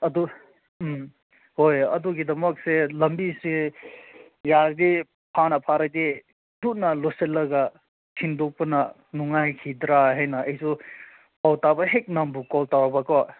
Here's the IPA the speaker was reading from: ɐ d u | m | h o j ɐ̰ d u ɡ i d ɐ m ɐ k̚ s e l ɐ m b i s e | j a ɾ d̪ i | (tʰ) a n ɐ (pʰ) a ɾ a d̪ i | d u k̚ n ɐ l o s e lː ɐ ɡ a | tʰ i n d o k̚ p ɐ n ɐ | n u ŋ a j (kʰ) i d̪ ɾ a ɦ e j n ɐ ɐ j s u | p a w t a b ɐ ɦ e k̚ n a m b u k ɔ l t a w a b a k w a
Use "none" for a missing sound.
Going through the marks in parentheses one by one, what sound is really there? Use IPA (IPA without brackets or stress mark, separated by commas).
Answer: pʰ, pʰ, kʰ